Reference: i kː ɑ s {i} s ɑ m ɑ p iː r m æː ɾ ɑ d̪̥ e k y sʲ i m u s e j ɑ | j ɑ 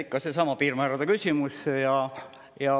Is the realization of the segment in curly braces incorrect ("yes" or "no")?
yes